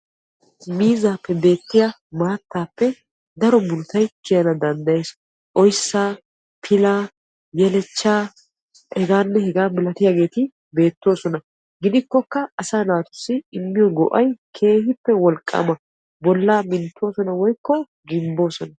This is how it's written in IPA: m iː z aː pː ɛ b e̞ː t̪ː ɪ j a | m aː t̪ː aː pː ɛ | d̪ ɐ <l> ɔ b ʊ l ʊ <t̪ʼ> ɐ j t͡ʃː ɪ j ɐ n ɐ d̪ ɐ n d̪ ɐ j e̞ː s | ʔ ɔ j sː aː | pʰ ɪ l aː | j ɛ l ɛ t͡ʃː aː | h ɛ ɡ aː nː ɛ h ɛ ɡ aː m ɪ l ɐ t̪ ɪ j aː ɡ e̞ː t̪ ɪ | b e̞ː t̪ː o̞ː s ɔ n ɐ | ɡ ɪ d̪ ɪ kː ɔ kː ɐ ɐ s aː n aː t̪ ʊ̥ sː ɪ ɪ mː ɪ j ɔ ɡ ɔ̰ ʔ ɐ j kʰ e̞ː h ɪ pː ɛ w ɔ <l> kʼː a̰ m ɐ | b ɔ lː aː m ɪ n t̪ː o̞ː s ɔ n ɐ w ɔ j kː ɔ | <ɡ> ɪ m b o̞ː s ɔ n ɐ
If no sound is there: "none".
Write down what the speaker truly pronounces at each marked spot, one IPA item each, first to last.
ɾ, t̪, l, ɡ

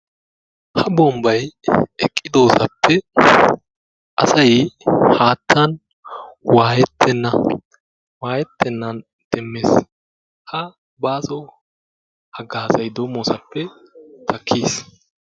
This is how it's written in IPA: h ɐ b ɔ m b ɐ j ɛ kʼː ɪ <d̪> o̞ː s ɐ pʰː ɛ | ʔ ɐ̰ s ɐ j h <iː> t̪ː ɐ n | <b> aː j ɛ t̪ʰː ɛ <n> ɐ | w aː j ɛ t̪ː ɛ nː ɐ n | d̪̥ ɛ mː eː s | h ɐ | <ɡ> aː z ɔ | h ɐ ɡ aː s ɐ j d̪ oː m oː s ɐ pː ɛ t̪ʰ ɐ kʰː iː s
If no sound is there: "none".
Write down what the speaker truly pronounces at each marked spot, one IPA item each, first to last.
d̪, aː, w, nː, b

